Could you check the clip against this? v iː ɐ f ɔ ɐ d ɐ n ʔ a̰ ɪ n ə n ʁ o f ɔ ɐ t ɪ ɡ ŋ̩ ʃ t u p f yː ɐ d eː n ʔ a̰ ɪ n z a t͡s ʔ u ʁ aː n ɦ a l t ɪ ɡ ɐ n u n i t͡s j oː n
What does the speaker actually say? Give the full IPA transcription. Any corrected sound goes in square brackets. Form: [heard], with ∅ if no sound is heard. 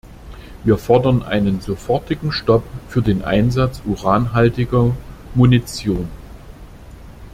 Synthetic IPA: v iː ɐ f ɔ ɐ d ɐ n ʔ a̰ ɪ n ə n [z] o f ɔ ɐ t ɪ ɡ ŋ̩ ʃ t [ɔ] p f yː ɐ d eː n ʔ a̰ ɪ n z a t͡s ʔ u ʁ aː n ɦ a l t ɪ ɡ ɐ [m] u n i t͡s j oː n